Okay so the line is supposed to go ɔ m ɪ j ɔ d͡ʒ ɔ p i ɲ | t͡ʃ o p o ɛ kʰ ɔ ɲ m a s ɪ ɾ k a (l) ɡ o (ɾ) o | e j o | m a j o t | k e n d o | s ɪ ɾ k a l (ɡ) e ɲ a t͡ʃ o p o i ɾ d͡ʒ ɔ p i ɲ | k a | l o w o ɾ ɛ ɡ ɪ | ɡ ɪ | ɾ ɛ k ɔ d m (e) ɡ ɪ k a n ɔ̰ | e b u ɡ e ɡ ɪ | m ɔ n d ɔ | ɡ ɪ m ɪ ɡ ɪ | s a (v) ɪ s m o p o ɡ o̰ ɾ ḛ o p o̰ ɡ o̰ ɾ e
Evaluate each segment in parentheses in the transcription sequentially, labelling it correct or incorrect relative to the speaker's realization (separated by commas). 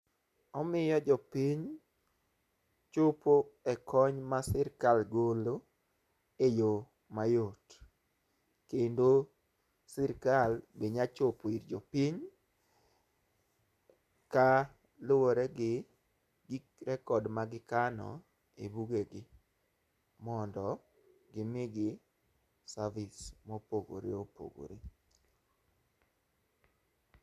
correct, incorrect, incorrect, incorrect, correct